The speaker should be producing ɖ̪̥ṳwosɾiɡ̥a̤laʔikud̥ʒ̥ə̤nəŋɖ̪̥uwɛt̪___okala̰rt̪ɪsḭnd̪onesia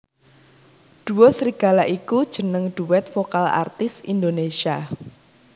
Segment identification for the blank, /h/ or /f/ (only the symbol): f